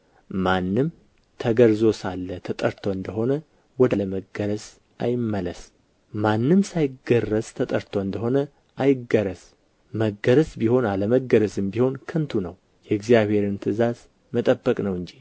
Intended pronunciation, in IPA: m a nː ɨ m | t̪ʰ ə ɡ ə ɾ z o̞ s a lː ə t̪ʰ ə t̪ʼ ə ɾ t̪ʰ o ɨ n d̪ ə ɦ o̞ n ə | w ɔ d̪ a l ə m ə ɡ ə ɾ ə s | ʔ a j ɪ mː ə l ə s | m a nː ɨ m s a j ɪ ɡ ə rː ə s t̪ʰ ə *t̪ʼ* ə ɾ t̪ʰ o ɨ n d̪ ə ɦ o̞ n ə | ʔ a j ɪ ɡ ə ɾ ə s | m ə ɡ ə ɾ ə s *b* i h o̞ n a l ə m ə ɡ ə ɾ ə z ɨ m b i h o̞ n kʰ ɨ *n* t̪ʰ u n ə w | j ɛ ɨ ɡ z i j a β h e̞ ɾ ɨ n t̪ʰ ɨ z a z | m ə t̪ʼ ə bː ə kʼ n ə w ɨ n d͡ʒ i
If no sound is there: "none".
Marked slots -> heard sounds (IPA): t̪ʼ, b, n

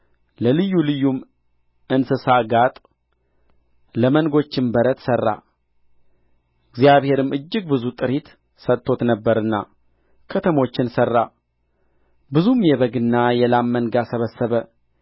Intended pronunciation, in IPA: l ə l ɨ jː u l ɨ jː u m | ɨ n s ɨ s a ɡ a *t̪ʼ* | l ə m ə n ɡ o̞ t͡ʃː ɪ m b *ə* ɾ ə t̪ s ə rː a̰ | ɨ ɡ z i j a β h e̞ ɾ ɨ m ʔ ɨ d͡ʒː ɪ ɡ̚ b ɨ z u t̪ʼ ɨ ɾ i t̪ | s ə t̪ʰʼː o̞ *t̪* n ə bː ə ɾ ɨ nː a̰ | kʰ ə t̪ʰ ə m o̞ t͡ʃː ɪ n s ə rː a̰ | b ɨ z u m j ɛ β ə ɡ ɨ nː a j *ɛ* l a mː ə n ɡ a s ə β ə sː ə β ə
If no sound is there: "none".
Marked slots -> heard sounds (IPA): t̪ʼ, ə, t̪, ɛ

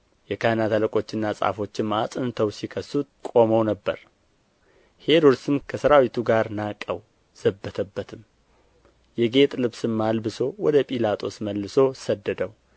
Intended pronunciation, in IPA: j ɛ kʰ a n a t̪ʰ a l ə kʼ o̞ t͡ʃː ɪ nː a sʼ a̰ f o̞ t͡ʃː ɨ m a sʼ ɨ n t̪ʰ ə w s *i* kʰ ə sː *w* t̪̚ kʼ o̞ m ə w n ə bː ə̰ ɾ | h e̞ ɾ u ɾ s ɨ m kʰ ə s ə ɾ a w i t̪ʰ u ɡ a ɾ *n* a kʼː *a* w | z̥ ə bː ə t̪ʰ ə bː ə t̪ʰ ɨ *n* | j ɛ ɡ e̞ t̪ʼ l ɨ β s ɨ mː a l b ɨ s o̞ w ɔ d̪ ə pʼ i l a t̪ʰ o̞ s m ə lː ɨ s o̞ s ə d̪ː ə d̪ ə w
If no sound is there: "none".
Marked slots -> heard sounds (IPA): i, u, n, ə, m

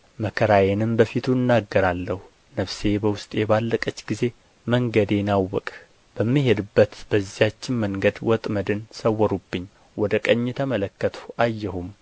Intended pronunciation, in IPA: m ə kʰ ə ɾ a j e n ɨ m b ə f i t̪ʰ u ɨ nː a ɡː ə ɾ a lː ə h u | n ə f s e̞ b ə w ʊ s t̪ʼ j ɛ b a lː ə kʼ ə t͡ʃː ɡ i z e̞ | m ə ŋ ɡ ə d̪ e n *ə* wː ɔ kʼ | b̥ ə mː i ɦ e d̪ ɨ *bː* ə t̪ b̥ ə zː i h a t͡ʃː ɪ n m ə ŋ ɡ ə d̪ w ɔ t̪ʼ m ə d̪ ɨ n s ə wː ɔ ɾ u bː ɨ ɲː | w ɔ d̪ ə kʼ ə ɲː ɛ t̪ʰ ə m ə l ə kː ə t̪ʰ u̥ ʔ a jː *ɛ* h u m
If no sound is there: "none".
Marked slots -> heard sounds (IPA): a, bː, ɛ

